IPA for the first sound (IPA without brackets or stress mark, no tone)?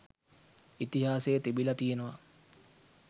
i